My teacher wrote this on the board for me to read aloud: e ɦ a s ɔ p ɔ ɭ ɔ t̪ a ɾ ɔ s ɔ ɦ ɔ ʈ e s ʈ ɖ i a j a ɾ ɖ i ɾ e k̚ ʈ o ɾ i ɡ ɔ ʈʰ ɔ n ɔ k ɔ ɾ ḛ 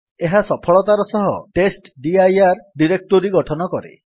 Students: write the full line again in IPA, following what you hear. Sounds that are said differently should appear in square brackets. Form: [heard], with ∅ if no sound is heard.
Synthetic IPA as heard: e ɦ a s ɔ [pʰ] ɔ ɭ ɔ t̪ a ɾ ɔ s ɔ ɦ ɔ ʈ e s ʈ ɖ i a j a ɾ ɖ i ɾ e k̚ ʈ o ɾ i ɡ ɔ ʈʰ ɔ n ɔ k ɔ ɾ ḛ